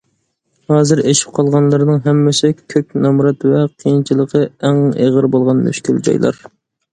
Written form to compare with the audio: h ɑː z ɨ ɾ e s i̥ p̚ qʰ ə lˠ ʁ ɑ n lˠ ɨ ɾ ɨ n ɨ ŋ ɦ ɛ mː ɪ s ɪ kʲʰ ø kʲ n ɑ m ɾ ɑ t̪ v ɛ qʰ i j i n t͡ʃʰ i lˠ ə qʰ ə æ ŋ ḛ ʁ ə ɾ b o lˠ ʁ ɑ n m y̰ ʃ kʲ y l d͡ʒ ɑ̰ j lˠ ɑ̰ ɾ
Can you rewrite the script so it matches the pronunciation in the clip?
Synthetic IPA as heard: h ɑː z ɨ ɾ e ʃ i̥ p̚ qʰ ɑ lˠ ʁ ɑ n lˠ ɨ ɾ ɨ n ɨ ŋ ɦ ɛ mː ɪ s ɪ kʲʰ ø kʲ n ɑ m ɾ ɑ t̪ v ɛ qʰ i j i n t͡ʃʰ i lˠ ə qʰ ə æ ŋ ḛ ʁ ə ɾ b o lˠ ʁ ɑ n m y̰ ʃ kʲ y l d͡ʒ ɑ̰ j lˠ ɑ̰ ɾ